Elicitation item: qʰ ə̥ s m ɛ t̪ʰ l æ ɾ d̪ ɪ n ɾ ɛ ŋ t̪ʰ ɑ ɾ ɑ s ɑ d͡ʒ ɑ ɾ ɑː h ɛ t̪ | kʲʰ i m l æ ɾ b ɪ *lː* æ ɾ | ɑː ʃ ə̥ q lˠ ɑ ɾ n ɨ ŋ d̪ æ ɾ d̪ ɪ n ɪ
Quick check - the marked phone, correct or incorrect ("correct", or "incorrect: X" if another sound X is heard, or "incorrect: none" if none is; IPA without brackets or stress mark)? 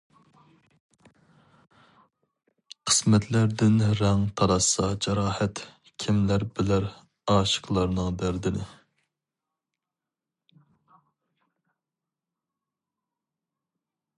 incorrect: l